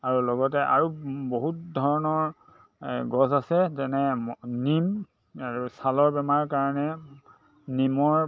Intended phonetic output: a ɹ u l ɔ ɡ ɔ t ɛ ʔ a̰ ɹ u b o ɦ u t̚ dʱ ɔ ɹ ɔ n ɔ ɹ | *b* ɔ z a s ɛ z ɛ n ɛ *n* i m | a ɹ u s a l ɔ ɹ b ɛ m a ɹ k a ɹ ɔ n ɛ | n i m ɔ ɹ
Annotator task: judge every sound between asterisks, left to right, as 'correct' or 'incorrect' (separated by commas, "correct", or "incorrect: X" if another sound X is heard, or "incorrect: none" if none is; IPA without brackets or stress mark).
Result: incorrect: ɡ, correct